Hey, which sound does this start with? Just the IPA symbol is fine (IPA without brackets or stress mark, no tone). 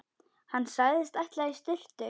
h